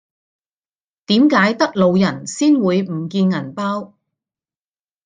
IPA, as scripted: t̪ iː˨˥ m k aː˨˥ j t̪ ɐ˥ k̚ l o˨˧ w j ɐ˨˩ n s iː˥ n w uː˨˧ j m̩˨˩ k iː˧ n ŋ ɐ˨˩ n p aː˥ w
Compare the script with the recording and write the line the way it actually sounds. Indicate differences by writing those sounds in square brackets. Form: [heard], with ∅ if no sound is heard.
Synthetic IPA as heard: t̪ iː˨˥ m k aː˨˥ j t̪ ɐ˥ k̚ l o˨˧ w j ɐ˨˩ n s iː˥ n w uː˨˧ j m̩˨˩ k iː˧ n ŋ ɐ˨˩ n p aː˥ w